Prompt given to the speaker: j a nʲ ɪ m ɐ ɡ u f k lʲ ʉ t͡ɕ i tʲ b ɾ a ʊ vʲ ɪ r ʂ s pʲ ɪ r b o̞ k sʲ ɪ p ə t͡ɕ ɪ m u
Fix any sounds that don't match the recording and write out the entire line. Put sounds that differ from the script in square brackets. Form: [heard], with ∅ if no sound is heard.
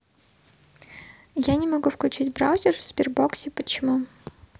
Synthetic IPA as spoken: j a nʲ ɪ m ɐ ɡ u f k lʲ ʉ t͡ɕ i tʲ b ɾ a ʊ [zʲ] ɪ r [f] s pʲ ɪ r b o̞ k sʲ ɪ p ə t͡ɕ ɪ m u